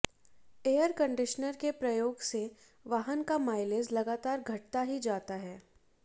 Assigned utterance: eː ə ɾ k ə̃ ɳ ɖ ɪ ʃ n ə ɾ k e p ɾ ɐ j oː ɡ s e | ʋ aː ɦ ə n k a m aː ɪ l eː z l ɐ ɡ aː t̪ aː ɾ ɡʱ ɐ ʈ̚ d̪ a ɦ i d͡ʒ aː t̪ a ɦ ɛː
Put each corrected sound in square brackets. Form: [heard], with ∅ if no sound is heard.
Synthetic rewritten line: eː ə ɾ k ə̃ ɳ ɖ ɪ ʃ n ə ɾ k e p ɾ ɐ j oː ɡ s e | ʋ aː ɦ ə n k a m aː ɪ l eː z l ɐ ɡ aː t̪ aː ɾ ɡʱ ɐ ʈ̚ [t̪] a ɦ i d͡ʒ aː t̪ a ɦ ɛː